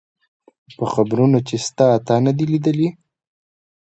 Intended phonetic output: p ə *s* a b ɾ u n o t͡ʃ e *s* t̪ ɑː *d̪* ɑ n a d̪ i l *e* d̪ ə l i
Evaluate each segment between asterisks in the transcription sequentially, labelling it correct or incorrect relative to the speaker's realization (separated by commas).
incorrect, correct, incorrect, incorrect